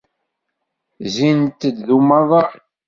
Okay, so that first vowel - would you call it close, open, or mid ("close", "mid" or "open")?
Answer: close